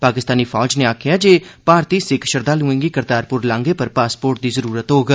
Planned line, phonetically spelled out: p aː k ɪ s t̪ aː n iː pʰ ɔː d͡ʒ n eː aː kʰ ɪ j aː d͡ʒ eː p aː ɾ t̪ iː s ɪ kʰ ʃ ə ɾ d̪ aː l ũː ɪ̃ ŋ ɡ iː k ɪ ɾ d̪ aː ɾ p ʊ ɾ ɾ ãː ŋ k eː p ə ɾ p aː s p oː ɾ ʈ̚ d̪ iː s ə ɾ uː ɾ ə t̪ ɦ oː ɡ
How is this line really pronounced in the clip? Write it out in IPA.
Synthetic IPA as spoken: p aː k ɪ s t̪ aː n iː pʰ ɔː d͡ʒ n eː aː kʰ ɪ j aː d͡ʒ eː p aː ɾ t̪ iː s ɪ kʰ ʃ ə ɾ d̪ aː l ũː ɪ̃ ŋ ɡ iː k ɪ ɾ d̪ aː ɾ p ʊ ɾ l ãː ŋ ɡ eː p ə ɾ p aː s p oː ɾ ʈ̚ d̪ iː z ə ɾ uː ɾ ə t̪ ɦ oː ɡ